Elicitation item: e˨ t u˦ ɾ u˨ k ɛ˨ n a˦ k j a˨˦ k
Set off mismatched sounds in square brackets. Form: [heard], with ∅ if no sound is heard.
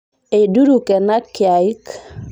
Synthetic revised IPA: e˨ [d] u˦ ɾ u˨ k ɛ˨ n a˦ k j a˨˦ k

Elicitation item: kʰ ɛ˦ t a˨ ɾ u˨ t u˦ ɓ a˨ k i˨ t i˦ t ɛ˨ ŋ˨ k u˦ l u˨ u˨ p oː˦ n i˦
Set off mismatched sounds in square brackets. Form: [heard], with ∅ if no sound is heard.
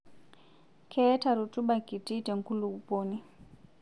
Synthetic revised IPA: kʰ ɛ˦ t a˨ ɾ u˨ t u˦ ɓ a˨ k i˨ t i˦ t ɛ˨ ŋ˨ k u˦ l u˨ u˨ p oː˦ n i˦

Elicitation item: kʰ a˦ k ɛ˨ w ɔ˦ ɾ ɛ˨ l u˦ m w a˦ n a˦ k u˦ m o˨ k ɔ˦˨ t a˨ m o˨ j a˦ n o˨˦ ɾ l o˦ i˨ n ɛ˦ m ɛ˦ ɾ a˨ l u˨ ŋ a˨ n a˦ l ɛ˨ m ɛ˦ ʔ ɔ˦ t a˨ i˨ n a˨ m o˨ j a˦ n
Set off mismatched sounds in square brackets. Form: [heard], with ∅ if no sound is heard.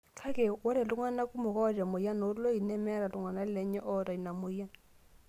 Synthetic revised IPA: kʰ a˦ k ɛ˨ w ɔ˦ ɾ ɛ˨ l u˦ [ŋ] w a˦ n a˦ k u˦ m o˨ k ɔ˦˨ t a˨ m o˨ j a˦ n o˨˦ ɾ l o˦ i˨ n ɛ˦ m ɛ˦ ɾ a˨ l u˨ ŋ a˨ n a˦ l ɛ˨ [ɲ] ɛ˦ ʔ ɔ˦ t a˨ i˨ n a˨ m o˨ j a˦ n

